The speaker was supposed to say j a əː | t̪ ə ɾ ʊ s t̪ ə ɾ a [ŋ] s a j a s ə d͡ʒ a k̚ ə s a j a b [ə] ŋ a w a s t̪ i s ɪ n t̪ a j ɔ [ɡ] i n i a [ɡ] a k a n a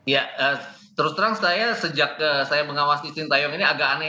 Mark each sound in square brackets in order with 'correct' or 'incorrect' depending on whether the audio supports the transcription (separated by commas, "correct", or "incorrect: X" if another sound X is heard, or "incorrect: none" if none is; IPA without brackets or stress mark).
correct, correct, incorrect: ŋ, correct